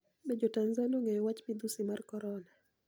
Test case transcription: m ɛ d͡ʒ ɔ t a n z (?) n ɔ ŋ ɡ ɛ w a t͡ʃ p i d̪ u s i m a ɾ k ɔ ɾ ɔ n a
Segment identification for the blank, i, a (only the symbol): a